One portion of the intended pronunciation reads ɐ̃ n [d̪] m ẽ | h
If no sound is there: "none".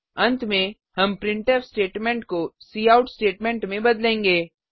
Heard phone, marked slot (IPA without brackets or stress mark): t̪